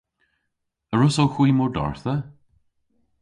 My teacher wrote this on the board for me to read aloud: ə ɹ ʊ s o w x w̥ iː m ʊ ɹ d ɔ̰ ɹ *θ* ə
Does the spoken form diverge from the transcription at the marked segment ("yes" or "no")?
no